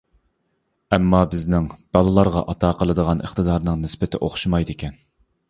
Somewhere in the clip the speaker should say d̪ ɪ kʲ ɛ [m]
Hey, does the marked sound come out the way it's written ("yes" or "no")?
no